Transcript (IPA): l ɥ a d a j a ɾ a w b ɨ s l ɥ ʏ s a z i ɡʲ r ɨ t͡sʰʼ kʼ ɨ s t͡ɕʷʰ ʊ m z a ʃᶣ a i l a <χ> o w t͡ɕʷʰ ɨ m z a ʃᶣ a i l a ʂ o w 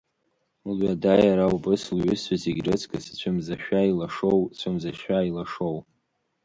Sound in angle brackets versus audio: incorrect: ʂ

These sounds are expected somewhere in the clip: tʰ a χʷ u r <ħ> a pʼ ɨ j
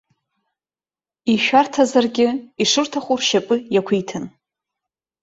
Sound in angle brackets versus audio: incorrect: ʃ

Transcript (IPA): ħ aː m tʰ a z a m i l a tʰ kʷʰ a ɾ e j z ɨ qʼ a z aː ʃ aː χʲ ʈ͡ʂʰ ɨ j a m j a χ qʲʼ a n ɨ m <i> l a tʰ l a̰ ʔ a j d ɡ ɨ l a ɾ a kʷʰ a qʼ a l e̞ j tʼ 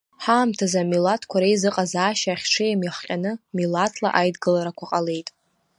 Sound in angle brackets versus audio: correct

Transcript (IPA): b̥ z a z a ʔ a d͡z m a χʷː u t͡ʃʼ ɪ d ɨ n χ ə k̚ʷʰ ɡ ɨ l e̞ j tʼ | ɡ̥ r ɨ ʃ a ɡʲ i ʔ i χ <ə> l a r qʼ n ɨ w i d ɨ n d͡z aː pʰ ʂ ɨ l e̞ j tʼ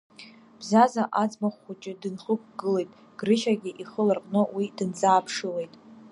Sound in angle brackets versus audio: correct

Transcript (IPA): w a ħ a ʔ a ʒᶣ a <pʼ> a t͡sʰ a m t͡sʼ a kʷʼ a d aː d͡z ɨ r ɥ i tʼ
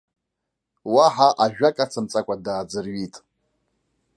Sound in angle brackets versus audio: incorrect: kʼ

